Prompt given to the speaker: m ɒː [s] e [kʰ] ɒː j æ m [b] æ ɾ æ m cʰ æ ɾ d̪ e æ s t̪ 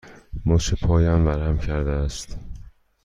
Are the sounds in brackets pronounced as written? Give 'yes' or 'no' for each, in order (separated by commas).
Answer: no, no, no